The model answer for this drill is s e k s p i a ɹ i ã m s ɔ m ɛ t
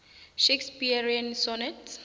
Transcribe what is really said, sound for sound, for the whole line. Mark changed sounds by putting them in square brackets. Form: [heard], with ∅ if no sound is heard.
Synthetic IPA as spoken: [ʃ] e k s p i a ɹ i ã [n] s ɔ [n] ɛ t